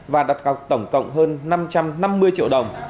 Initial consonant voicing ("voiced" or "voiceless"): voiced